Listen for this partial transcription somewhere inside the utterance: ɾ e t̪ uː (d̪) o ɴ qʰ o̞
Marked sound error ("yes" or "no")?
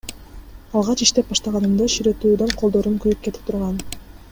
no